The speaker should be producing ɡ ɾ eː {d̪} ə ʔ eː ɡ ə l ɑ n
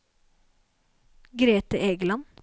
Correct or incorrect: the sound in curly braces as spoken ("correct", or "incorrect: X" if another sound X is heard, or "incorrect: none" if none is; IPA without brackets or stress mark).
incorrect: t̪